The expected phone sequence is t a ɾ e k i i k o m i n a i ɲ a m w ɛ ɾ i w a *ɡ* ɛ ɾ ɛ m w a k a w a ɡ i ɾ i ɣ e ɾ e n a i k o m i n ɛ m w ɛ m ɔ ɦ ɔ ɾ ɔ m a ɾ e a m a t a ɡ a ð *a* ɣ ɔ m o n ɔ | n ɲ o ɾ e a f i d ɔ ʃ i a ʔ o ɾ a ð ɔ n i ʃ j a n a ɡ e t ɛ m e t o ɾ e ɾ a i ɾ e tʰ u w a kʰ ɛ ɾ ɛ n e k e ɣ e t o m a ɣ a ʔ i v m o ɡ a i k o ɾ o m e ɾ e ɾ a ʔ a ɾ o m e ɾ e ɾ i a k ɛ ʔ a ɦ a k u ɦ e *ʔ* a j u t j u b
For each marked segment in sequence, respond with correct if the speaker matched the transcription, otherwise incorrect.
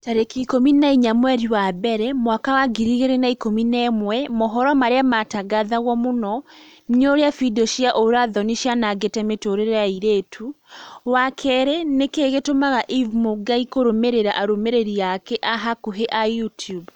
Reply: incorrect: b, correct, correct

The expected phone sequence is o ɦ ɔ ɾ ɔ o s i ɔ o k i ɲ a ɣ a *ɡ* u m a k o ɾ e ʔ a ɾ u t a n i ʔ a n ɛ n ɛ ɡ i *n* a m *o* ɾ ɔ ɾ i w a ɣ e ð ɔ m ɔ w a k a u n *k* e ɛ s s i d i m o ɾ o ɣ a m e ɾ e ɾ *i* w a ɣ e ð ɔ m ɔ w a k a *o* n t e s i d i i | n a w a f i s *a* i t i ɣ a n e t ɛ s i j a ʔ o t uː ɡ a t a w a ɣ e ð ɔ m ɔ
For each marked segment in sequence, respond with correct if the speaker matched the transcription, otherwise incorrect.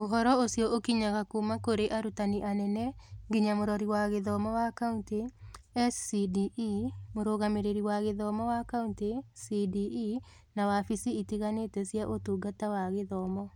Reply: incorrect: k, incorrect: ɲ, correct, incorrect: t, correct, incorrect: u, incorrect: i

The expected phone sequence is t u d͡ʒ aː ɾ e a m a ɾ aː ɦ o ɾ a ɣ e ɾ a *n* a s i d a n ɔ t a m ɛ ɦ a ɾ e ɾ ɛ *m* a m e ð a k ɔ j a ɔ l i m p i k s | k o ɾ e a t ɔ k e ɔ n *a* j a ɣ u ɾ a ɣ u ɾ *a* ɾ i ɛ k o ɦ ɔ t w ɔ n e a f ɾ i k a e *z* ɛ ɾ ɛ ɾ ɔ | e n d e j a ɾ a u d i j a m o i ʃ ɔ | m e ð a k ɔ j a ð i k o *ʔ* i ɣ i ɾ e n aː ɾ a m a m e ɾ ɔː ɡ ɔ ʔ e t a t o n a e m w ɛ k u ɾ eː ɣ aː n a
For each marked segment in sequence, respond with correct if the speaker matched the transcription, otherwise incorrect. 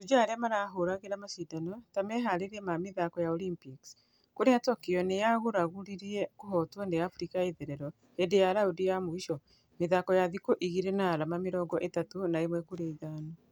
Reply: incorrect: m, correct, incorrect: e, incorrect: i, incorrect: ð, correct

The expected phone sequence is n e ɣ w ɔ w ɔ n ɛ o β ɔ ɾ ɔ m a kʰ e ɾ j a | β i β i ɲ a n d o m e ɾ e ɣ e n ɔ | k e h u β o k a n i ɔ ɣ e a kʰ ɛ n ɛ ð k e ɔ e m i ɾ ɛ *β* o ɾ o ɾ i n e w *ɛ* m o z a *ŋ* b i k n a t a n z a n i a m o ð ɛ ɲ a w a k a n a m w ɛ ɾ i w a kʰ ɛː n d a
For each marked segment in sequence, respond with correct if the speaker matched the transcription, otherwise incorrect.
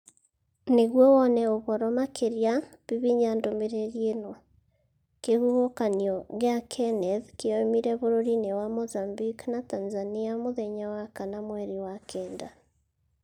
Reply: correct, incorrect: a, incorrect: m

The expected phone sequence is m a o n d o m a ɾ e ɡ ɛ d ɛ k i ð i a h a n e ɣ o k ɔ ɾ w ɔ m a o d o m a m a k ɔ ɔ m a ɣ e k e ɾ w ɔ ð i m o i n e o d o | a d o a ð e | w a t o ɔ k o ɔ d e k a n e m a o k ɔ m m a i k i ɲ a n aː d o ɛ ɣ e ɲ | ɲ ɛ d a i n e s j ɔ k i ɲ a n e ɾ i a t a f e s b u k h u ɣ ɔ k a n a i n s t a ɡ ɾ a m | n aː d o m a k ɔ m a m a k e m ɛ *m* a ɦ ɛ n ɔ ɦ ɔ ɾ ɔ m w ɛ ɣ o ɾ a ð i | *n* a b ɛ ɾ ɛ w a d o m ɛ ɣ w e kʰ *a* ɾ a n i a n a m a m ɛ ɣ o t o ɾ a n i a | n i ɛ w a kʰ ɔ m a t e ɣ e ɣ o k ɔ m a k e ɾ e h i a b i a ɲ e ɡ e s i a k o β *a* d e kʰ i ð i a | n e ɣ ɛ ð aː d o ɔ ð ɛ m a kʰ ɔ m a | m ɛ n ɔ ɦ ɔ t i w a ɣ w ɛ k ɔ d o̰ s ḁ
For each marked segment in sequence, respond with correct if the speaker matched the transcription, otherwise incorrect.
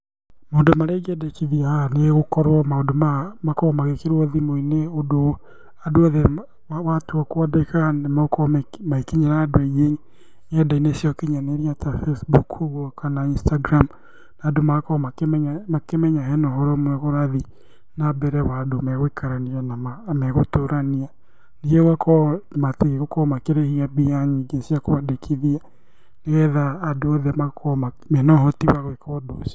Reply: incorrect: ɲ, correct, correct, correct

